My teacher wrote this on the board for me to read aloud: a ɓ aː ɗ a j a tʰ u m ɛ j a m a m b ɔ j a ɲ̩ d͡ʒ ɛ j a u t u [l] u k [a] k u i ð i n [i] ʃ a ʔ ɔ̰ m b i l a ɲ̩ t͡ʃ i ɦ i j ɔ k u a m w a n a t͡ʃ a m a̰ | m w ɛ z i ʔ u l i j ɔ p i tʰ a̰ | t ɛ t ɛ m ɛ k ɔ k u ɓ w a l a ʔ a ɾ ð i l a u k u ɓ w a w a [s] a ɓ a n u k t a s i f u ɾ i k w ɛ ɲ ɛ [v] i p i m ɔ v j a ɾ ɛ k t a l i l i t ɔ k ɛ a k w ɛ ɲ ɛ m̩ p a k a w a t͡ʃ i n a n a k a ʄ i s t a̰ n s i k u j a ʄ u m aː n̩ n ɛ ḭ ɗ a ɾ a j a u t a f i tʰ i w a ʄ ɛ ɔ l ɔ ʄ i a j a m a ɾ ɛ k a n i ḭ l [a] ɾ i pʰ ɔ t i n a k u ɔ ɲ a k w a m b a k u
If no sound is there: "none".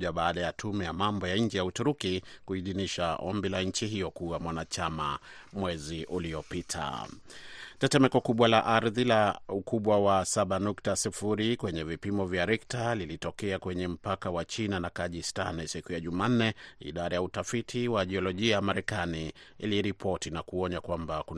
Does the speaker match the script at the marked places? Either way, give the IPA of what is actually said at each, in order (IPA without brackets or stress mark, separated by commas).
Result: ɾ, i, i, s, v, i